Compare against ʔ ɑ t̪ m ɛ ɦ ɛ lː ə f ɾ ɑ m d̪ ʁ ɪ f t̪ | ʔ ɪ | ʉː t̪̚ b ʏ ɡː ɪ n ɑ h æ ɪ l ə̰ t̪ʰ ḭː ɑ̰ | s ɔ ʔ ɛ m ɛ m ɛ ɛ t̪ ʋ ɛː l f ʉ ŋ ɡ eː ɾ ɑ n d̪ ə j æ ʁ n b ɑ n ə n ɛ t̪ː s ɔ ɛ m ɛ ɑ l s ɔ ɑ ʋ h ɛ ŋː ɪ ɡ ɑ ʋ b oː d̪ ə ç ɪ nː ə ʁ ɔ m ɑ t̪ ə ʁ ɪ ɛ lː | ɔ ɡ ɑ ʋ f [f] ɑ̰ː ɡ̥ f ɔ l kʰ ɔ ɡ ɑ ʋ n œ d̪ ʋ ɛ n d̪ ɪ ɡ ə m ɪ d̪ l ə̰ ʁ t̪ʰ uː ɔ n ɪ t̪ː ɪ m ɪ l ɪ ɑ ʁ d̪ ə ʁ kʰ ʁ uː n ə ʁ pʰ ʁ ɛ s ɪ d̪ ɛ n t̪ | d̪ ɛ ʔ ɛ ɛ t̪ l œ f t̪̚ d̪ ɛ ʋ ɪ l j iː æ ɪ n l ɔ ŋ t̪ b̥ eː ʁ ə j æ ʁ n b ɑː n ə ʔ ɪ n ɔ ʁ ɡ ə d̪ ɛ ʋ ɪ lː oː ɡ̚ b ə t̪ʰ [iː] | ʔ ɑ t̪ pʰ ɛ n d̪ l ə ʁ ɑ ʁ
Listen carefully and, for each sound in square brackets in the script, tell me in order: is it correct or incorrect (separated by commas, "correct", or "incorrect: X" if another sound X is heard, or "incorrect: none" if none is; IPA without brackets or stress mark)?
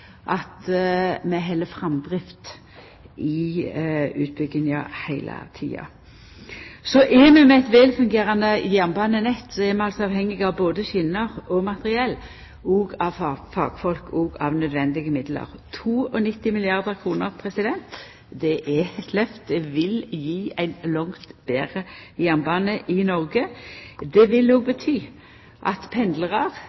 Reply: correct, incorrect: yː